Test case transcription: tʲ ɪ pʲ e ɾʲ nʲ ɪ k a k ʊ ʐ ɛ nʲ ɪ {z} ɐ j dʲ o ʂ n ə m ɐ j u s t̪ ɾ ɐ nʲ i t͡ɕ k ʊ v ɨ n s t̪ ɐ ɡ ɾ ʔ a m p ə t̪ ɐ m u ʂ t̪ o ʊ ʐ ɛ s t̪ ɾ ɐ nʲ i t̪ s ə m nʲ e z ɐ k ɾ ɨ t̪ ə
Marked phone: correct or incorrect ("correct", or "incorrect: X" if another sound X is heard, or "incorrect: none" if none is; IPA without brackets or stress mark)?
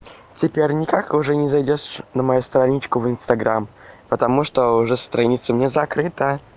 correct